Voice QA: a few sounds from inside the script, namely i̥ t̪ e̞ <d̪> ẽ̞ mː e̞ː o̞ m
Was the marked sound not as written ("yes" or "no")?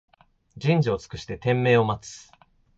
yes